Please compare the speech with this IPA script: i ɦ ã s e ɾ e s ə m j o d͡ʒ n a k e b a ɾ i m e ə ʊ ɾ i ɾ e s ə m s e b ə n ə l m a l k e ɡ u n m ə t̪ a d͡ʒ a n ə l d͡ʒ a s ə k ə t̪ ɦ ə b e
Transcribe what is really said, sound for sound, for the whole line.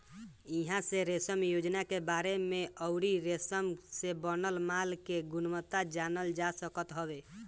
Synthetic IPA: i ɦ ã s e ɾ e s ə m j o d͡ʒ n a k e b a ɾ e m e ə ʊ ɾ i ɾ e s ə m s e b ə n ə l m a l k e ɡ u n m ə t̪ a d͡ʒ a n ə l d͡ʒ a s ə k ə t̪ ɦ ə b e